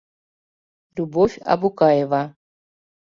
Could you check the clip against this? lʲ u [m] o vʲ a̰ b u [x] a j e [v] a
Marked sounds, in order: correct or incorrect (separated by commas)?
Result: incorrect, incorrect, correct